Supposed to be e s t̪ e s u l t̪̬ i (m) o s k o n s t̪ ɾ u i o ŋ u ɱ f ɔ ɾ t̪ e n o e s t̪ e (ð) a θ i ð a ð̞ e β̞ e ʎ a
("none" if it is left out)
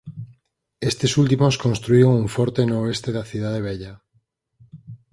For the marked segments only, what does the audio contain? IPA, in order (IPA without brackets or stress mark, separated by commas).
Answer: m, ð